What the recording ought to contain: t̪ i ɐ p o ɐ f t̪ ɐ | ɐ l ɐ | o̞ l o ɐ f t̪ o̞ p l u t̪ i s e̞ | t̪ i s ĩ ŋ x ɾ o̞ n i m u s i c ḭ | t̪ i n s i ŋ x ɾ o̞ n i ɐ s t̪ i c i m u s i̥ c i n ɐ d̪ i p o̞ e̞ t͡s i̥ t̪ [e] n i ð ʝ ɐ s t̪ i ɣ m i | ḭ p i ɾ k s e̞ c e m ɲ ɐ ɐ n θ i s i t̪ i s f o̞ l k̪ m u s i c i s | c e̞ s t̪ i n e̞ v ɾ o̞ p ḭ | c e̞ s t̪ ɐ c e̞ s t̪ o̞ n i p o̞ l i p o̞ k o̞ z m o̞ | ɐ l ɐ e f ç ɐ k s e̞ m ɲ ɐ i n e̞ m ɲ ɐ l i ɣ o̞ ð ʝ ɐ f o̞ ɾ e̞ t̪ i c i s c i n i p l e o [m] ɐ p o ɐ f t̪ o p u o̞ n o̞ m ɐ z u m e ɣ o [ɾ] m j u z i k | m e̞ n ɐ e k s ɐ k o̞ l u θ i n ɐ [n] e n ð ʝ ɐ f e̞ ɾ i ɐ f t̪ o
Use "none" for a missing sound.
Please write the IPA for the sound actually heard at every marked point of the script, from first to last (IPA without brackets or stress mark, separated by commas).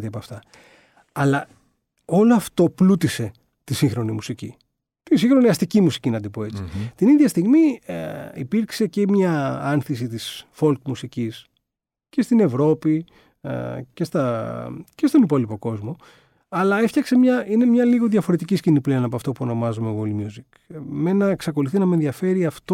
i, n, l, m